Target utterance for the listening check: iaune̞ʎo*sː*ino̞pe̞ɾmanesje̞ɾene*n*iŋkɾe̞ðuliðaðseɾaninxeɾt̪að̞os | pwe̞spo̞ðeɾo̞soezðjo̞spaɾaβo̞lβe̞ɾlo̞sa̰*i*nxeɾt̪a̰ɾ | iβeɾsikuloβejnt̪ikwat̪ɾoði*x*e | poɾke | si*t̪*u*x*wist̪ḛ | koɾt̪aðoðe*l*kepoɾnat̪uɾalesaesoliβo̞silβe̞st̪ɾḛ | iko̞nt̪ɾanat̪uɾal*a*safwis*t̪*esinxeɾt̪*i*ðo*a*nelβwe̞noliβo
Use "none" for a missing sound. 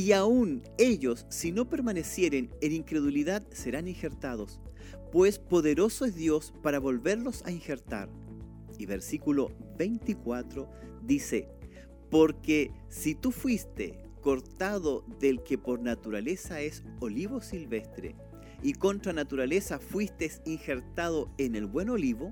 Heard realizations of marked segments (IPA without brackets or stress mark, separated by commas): sː, n, i, s, t̪, f, l, e, t̪, a, e